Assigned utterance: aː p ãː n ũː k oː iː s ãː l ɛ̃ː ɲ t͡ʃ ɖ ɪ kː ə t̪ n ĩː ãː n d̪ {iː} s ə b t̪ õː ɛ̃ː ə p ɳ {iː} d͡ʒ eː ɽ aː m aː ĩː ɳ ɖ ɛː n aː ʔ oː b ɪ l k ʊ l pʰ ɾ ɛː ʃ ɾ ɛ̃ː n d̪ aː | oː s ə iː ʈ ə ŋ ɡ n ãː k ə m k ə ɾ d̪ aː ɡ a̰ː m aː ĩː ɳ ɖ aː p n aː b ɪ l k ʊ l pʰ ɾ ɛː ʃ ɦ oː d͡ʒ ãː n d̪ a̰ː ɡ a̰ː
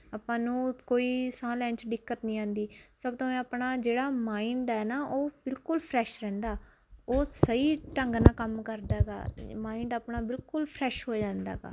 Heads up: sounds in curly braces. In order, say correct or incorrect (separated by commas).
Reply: correct, incorrect